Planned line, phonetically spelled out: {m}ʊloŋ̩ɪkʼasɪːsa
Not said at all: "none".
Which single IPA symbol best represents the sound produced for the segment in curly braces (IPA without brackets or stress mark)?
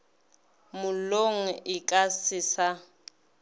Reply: m